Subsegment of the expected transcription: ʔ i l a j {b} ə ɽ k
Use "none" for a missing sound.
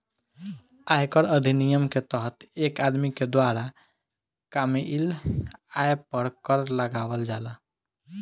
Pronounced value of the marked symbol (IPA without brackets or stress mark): p